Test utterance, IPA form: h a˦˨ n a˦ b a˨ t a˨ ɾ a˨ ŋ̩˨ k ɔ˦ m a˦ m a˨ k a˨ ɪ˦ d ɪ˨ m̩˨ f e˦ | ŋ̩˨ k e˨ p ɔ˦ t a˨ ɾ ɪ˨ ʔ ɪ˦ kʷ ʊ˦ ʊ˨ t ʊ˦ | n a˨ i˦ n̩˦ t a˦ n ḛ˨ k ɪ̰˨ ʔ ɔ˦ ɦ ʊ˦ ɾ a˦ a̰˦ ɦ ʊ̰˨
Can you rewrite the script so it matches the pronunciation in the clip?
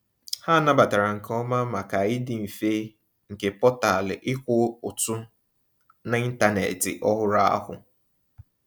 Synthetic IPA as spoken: h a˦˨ n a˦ b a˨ t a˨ ɾ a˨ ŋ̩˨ k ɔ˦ m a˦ m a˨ k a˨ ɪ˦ d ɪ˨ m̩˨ f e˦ | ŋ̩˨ k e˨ p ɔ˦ t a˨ l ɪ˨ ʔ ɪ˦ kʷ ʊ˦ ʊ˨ t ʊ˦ | n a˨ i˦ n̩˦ t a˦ n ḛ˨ t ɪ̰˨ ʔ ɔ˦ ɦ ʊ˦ ɾ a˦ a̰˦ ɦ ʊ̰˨